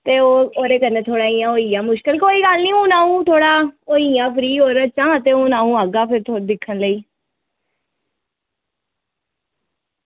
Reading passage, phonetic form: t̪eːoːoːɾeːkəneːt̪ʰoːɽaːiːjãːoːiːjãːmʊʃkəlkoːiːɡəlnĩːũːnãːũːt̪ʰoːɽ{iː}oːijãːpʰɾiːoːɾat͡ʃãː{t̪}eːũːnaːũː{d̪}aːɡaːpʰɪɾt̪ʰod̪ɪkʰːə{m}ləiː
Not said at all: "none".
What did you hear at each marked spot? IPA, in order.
aː, t̪, none, n

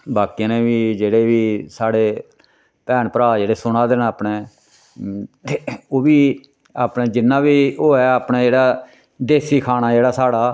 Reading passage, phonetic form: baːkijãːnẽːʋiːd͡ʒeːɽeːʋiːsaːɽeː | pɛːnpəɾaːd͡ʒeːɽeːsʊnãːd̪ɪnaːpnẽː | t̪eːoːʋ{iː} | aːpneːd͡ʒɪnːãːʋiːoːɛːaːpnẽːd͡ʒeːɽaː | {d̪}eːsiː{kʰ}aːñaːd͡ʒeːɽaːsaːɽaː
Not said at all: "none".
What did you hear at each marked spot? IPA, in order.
iː, d̪, kʰ

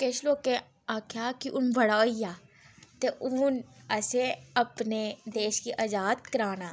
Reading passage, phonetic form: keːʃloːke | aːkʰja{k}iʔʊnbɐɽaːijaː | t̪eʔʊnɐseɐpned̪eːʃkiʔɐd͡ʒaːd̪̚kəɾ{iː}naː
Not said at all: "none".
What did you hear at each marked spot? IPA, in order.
k, aː

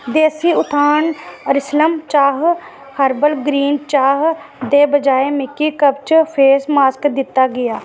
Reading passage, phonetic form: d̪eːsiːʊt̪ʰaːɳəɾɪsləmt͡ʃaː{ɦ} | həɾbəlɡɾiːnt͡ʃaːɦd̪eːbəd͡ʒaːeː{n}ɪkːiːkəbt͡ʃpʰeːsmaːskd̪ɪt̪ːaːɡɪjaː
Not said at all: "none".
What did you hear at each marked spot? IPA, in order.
ɦ, m

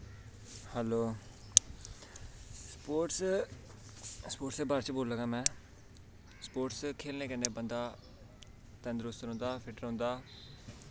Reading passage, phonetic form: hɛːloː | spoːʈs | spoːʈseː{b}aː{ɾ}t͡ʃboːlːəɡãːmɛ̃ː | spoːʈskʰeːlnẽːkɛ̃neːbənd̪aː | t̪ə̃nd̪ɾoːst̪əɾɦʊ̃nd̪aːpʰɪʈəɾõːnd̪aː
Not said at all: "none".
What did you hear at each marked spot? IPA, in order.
b, ɾ

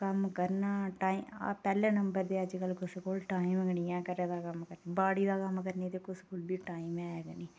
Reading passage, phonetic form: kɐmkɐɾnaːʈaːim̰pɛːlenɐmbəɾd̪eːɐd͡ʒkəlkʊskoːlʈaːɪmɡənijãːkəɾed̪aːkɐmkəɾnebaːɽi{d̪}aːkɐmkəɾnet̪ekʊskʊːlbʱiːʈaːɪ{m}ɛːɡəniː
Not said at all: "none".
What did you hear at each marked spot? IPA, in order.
d̪, m

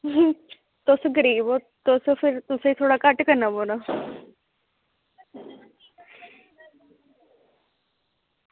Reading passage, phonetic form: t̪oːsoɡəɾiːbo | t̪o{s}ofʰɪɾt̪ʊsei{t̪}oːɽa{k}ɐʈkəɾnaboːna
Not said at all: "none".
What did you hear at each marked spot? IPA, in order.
s, t̪ʰ, k

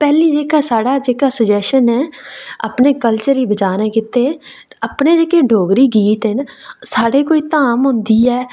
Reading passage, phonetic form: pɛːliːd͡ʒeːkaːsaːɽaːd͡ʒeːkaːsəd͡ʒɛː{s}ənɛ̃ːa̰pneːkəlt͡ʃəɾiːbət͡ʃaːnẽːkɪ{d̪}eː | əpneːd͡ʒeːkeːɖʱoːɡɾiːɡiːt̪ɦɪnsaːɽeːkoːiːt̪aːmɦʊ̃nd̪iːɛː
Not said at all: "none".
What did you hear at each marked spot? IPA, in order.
ʃ, t̪

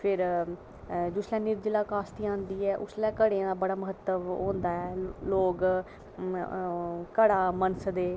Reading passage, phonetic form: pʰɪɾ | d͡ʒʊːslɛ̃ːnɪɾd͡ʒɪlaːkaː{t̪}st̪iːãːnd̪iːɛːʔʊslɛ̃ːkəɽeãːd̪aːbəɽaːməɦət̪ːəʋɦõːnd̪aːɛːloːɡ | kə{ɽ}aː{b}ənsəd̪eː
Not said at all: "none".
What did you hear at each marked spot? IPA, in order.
none, ɽ, m

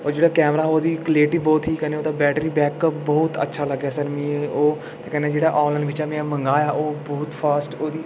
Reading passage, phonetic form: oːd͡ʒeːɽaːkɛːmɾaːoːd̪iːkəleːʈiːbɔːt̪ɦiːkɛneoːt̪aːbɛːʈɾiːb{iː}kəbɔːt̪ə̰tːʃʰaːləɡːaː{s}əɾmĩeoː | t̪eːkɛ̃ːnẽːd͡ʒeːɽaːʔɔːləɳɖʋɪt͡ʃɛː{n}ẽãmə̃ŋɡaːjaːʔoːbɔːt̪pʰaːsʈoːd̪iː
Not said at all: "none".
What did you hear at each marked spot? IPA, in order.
ɛː, s, m

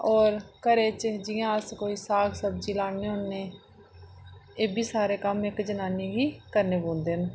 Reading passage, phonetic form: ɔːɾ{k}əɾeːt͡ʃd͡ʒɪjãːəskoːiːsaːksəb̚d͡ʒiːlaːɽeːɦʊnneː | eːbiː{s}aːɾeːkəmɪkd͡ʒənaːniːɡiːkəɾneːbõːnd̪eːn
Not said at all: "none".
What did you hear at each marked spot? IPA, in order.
k, s

